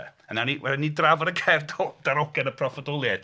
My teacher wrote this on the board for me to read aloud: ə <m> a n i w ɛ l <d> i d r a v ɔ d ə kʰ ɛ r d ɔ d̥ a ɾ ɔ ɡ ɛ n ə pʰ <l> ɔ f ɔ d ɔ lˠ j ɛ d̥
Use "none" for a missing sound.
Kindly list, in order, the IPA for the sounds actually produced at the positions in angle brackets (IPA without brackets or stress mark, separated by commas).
n, n, r